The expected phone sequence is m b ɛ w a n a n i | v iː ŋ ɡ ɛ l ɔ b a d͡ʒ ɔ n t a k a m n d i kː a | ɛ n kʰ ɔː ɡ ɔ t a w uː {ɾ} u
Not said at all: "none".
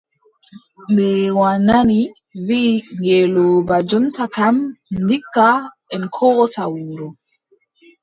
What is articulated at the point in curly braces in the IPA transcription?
ɾ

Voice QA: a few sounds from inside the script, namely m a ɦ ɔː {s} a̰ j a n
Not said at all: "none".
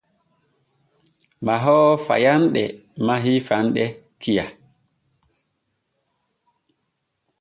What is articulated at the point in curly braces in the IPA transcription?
f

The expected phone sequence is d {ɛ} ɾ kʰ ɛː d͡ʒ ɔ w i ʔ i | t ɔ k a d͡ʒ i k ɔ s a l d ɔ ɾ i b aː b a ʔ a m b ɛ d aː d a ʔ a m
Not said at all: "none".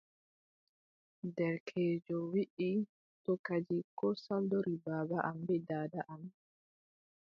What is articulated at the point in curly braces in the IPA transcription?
ɛ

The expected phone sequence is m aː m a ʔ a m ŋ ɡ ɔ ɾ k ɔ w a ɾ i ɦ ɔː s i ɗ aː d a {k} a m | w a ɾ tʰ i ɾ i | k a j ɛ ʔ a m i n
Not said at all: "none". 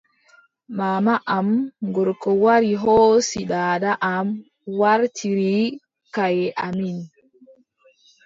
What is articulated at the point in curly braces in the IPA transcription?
ʔ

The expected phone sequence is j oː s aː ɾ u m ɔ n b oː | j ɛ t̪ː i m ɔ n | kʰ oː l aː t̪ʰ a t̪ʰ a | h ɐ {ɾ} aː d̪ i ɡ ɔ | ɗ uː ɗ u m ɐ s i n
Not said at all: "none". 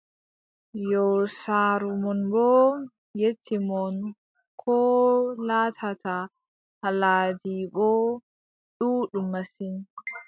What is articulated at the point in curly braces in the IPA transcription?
l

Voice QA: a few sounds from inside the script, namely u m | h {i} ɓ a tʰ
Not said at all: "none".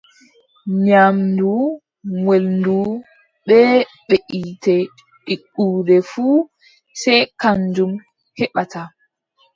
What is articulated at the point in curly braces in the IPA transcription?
ɛ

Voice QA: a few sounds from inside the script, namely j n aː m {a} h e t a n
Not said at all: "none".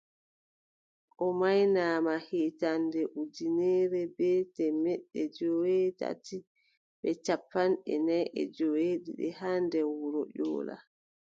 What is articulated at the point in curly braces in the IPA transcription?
a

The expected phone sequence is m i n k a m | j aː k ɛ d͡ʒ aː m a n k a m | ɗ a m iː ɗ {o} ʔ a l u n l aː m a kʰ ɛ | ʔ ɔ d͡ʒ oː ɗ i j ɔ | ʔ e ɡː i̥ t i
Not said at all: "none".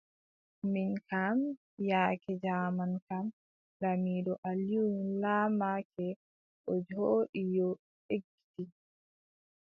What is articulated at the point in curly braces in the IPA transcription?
ɔ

